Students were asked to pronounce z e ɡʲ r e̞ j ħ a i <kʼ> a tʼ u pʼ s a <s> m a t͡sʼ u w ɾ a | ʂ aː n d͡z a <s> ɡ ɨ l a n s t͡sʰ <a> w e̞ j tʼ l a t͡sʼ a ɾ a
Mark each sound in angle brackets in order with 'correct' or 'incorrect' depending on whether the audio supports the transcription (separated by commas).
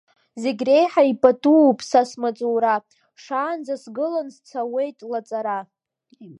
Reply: incorrect, correct, correct, correct